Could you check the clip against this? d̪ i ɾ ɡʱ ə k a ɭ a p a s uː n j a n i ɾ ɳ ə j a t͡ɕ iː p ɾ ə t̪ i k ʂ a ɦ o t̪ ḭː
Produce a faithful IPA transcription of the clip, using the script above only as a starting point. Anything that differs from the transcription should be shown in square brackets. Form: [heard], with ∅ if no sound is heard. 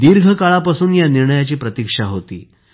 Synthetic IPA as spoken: d̪ i ɾ ɡʱ ə k a ɭ a p a s uː n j a n i ɾ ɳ ə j a t͡ɕ iː p ɾ ə t̪ i k ʂ a ɦ o t̪ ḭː